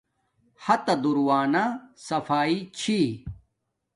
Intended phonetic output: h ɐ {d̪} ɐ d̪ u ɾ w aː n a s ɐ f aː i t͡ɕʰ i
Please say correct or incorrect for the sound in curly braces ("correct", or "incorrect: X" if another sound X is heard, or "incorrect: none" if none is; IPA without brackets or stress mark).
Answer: incorrect: t̪